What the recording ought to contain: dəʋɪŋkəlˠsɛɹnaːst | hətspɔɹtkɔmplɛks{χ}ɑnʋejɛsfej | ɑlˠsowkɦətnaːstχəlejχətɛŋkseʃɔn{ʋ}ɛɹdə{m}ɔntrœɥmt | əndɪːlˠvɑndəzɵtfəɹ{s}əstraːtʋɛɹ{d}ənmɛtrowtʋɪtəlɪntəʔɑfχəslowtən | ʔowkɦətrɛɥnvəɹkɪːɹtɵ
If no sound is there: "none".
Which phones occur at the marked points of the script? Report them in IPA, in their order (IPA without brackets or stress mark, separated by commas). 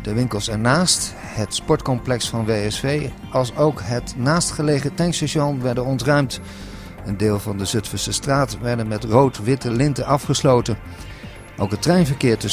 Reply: f, ʋ, n, s, d